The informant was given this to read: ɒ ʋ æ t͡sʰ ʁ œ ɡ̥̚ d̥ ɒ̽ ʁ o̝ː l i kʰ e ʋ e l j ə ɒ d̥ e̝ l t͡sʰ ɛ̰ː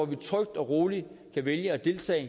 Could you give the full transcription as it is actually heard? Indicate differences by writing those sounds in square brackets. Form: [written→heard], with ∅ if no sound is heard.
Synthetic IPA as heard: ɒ ʋ [æ→i] t͡sʰ ʁ œ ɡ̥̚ d̥ ɒ̽ ʁ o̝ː l i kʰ [e→æ] ʋ e l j ə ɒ d̥ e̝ l t͡sʰ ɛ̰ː